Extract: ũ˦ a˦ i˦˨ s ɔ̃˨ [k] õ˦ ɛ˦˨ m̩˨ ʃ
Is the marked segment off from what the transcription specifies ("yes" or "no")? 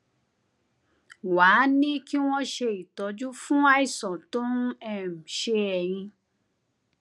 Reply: yes